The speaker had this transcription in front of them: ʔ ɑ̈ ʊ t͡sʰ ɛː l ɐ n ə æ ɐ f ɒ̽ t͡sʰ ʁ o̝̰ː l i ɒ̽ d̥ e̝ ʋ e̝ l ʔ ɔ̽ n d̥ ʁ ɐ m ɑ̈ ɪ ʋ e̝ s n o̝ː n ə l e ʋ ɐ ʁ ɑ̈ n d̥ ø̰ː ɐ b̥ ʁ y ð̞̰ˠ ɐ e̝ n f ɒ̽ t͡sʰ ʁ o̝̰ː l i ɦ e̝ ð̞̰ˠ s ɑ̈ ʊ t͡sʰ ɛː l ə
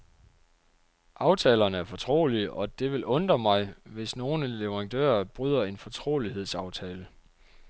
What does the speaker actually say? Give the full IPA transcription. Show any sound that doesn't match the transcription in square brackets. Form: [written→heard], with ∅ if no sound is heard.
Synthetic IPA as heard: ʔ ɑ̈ ʊ t͡sʰ ɛː l ɐ n ə æ ɐ f ɒ̽ t͡sʰ ʁ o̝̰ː l i ɒ̽ d̥ e̝ ʋ e̝ l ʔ ɔ̽ n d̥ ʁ ɐ m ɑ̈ ɪ ʋ e̝ s n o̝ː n ə l e ʋ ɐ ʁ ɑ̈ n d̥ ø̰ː ɐ b̥ ʁ y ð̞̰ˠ ɐ e̝ n f ɒ̽ t͡sʰ ʁ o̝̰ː l i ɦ e̝ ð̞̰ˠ s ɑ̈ ʊ t͡sʰ ɛː l ə

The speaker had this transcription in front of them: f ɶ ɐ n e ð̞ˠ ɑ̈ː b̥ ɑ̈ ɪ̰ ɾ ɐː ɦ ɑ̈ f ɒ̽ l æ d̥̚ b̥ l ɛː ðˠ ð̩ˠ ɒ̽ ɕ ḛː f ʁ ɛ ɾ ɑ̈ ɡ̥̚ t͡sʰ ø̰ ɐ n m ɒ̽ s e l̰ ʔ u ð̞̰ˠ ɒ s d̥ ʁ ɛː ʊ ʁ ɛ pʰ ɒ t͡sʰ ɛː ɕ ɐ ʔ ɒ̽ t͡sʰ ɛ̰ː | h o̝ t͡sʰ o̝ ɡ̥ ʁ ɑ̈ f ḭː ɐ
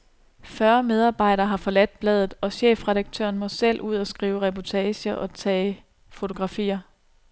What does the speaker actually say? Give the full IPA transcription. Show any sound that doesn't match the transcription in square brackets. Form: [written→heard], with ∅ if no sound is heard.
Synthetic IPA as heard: f ɶ ɐ [n→m] e ð̞ˠ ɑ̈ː b̥ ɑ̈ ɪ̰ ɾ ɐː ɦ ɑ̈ f ɒ̽ l æ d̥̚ b̥ l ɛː ðˠ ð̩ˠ ɒ̽ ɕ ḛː f ʁ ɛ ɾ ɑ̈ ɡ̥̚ t͡sʰ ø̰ ɐ n m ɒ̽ s e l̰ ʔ u ð̞̰ˠ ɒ s [d̥→ɡ̥] ʁ [ɛː→iː] ʊ ʁ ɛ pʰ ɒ t͡sʰ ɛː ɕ ɐ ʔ ɒ̽ t͡sʰ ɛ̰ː | [h→f] o̝ t͡sʰ o̝ ɡ̥ ʁ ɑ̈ f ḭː ɐ

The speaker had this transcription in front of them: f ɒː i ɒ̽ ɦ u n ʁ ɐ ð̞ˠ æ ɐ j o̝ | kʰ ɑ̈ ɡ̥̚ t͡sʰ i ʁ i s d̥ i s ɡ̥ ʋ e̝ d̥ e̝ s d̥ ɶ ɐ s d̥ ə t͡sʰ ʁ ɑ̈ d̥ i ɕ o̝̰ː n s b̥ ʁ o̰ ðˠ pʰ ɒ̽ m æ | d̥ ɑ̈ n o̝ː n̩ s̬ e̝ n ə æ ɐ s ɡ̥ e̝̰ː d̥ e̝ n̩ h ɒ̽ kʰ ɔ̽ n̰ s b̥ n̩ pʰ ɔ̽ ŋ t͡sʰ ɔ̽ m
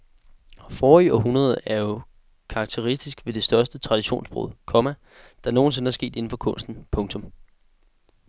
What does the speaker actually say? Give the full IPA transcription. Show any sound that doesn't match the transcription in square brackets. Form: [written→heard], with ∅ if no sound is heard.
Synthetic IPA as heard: f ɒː i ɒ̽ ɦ u n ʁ ɐ ð̞ˠ æ ɐ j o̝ | kʰ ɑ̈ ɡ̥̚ t͡sʰ [i→e] ʁ i s d̥ i s ɡ̥ ʋ e̝ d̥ e̝ s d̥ ɶ ɐ s d̥ ə t͡sʰ ʁ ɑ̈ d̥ i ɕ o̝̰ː n s b̥ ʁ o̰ ðˠ [pʰ→kʰ] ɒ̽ m æ | d̥ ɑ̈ n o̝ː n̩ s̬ e̝ n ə æ ɐ s ɡ̥ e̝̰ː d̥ e̝ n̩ [h→f] ɒ̽ kʰ ɔ̽ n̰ s [b̥→d̥] n̩ pʰ ɔ̽ ŋ t͡sʰ ɔ̽ m

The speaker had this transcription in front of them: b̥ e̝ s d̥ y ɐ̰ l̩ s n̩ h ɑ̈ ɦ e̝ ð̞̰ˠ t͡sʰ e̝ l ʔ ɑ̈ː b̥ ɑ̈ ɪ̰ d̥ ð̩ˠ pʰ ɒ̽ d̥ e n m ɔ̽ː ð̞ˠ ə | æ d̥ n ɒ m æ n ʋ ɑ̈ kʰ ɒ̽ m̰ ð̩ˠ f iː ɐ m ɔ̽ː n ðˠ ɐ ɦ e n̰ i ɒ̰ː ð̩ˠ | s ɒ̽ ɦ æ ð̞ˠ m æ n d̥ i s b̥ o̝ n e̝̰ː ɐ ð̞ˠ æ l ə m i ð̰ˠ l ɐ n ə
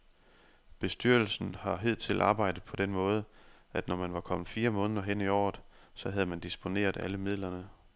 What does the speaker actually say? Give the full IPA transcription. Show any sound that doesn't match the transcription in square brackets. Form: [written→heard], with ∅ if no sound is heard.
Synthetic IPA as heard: b̥ e̝ s d̥ y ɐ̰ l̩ s n̩ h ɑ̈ ɦ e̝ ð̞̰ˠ t͡sʰ e̝ l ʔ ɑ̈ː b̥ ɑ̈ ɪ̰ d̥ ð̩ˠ pʰ ɒ̽ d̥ e n m ɔ̽ː ð̞ˠ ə | æ d̥ n ɒ m æ n ʋ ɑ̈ kʰ ɒ̽ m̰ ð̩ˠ f iː ɐ m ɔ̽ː n ðˠ ɐ ɦ e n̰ i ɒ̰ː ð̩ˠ | s ɒ̽ ɦ æ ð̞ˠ m æ n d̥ i s b̥ o̝ n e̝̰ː ɐ ð̞ˠ æ l ə m i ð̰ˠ l ɐ n ə

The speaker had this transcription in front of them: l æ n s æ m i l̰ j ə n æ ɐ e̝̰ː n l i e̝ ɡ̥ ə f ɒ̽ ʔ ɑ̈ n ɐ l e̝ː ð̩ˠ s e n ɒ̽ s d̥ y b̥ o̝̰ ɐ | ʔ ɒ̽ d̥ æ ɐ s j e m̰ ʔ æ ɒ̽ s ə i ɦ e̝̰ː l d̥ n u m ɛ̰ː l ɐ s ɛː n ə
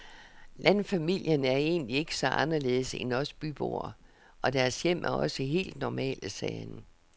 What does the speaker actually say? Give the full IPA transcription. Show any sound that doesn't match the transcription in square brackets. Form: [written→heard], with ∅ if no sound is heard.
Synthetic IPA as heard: l æ n [s→f] æ m i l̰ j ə n æ ɐ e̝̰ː n l i e̝ ɡ̥ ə [f→s] ɒ̽ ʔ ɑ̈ n ɐ l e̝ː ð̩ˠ s e n ɒ̽ s [d̥→b̥] y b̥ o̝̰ ɐ | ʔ ɒ̽ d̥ æ ɐ s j e m̰ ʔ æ ɒ̽ s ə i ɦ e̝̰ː l d̥ n [u→ɒ] m ɛ̰ː l [ɐ→ə] s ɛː n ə

